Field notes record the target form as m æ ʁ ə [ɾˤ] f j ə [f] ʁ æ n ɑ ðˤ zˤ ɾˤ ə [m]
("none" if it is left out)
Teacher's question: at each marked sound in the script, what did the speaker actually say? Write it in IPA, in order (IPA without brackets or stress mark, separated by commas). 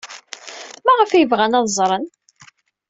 none, v, n